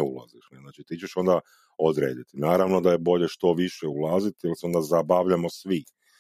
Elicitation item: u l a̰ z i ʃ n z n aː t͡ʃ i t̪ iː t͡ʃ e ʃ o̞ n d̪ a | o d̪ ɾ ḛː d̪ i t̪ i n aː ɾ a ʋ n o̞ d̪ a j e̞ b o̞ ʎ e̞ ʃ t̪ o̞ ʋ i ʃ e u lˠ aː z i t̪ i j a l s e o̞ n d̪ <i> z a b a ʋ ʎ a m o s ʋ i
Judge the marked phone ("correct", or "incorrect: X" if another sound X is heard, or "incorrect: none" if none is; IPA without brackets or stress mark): incorrect: a